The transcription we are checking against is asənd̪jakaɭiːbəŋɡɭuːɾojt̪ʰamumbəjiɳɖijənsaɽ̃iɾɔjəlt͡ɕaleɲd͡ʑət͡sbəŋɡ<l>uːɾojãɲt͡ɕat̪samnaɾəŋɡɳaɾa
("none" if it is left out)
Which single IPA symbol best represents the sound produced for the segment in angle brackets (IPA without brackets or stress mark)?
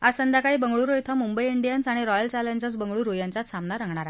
ɭ